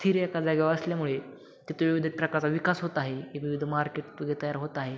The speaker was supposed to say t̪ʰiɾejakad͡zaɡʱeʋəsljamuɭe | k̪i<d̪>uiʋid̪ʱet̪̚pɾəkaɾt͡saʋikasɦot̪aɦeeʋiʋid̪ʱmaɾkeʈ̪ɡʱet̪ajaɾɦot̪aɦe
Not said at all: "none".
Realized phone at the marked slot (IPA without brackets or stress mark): t̪